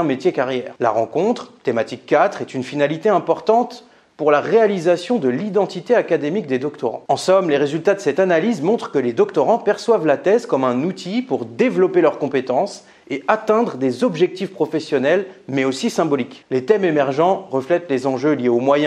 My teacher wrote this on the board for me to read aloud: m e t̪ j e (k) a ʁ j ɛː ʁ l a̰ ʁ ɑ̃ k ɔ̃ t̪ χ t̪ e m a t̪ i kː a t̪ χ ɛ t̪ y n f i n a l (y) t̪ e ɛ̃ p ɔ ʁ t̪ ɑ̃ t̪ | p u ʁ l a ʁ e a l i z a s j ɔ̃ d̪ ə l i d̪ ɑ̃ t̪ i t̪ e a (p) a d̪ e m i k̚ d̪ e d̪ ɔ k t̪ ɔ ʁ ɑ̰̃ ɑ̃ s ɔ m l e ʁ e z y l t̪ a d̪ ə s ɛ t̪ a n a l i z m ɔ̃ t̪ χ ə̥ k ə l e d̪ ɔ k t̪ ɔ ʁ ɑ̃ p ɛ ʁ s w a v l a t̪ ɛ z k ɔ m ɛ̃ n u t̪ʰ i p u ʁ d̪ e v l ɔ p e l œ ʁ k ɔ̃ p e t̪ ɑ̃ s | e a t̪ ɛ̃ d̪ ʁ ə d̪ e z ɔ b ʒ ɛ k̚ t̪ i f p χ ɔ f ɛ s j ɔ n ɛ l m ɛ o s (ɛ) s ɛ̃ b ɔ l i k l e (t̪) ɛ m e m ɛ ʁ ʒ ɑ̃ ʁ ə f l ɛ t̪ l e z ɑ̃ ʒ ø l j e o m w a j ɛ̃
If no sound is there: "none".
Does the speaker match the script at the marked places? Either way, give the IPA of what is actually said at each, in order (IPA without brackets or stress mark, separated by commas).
k, i, k, i, t̪